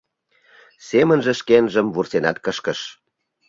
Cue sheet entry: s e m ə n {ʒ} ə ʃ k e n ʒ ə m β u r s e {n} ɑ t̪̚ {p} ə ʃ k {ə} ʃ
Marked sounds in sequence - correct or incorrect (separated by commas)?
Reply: correct, correct, incorrect, correct